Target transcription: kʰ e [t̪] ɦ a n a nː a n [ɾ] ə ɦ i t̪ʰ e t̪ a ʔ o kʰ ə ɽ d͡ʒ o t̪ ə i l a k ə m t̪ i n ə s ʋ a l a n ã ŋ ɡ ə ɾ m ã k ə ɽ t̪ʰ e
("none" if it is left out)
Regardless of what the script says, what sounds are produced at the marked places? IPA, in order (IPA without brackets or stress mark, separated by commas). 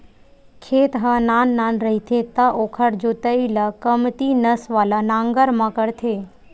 t̪, ɾ